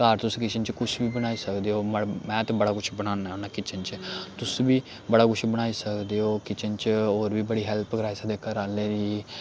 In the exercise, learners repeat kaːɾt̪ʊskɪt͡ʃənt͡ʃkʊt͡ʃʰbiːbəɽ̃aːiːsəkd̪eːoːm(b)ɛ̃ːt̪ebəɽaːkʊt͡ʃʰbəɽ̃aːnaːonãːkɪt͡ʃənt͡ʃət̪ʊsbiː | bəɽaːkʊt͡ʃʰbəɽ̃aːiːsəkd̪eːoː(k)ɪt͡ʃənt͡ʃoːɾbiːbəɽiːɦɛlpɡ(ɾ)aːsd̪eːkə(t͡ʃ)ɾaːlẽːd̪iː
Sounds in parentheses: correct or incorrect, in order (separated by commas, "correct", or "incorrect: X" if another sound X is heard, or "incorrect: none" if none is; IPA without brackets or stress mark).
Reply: incorrect: m, correct, correct, incorrect: none